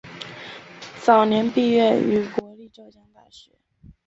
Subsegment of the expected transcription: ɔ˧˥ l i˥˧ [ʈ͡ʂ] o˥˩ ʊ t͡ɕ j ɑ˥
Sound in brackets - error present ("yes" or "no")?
no